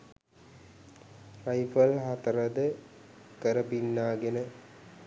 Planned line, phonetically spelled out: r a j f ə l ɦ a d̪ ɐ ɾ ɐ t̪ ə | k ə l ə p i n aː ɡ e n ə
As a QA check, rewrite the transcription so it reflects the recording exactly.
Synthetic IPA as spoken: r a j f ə l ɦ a t̪ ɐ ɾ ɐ d̪ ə | k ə ɾ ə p i nː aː ɡ e n ə